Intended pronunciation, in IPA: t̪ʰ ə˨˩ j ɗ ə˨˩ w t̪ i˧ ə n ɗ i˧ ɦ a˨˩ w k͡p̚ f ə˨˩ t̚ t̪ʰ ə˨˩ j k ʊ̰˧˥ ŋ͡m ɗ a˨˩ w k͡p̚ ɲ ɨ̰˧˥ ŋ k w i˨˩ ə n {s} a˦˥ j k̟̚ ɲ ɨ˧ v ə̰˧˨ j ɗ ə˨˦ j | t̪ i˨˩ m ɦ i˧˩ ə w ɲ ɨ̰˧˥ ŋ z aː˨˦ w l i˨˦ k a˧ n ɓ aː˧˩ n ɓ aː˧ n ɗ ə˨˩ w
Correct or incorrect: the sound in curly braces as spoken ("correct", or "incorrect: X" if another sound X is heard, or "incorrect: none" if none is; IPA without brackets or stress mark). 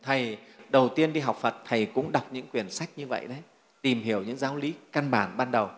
correct